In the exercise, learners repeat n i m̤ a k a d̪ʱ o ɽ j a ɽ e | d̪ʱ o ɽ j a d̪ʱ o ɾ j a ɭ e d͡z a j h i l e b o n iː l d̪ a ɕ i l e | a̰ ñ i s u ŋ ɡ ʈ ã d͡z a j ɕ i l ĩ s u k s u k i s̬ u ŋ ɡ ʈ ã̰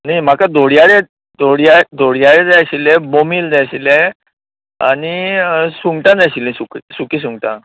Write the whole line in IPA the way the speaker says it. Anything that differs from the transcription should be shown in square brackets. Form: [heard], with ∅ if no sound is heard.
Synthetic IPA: n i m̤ a k a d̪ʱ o ɽ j a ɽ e | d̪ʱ o ɽ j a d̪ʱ o [ɽ] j a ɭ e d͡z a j [ɕ] i l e b o [m] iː l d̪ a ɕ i l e | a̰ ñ i s u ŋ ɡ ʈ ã d͡z a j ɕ i l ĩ s u k s u k i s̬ u ŋ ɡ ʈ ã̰